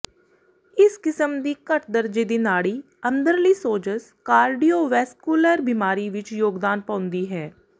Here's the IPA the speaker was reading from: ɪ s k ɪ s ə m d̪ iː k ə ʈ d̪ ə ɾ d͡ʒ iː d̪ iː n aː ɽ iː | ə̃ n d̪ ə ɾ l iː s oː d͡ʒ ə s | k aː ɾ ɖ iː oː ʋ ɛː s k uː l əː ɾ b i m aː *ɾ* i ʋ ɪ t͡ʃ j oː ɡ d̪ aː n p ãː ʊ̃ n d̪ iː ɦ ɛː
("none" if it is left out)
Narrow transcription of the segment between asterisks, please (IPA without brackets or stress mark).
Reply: ɾ